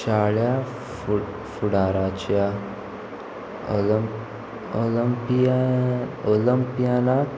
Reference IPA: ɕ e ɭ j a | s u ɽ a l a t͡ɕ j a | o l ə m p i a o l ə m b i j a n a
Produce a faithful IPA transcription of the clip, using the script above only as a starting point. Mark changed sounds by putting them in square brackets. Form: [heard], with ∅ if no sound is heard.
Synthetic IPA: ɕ [a] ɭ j a | [f] u ɽ a [ɾ] a t͡ɕ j a | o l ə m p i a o l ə m [p] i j a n a